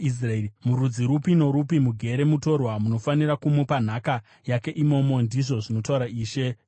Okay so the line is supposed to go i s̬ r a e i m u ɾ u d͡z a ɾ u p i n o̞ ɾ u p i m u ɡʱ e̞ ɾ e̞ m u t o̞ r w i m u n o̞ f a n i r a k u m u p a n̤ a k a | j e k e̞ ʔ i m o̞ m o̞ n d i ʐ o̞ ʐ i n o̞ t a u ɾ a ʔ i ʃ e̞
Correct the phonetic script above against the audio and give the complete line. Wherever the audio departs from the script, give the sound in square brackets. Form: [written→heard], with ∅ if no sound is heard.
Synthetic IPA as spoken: i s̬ r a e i m u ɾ u d͡z [a→i] ɾ u p i n o̞ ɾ u p i m u ɡʱ e̞ ɾ e̞ m u t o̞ r w [i→a] m u n o̞ f a n i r a k u m u p a n̤ a k a | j [e→a] k e̞ ʔ i m o̞ m o̞ n d i ʐ o̞ ʐ i n o̞ t a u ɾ a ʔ [i→iː] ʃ e̞